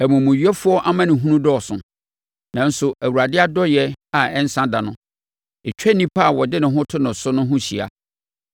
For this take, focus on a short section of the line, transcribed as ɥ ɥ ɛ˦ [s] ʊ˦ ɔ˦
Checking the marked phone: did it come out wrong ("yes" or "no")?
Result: yes